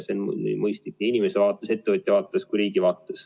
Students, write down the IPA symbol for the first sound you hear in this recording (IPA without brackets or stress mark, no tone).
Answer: s